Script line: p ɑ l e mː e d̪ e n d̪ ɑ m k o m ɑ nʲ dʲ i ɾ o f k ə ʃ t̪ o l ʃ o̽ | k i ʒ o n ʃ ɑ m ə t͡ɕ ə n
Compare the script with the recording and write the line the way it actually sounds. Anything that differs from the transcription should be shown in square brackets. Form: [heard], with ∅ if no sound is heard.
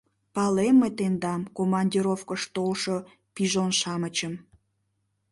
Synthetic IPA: p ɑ l e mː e [t̪] e n d̪ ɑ m k o m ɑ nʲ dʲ i ɾ o f k ə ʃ t̪ o l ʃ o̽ | [p] i ʒ o n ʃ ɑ m ə t͡ɕ ə [m]